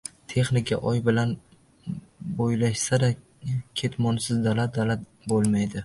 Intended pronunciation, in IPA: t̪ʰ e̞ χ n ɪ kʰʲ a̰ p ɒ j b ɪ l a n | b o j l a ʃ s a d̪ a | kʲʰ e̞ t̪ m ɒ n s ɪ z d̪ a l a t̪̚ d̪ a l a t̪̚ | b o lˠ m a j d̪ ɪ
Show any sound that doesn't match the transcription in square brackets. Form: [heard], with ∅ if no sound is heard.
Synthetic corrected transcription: t̪ʰ e̞ χ n ɪ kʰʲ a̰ [ʔ] ɒ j b ɪ l a n | b o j l a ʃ s a d̪ a | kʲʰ e̞ t̪ m ɒ n s ɪ z d̪ a l a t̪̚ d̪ a l a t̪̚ | b o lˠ m a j d̪ ɪ